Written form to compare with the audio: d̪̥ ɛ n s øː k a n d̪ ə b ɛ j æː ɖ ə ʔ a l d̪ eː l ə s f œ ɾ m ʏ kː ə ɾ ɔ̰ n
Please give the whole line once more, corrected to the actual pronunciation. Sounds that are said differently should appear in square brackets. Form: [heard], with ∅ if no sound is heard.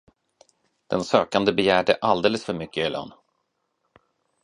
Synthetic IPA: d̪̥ ɛ n s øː k a n d̪ ə b ɛ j æː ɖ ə ʔ a l d̪ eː l ə s f œ ɾ m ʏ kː ə [l] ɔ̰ n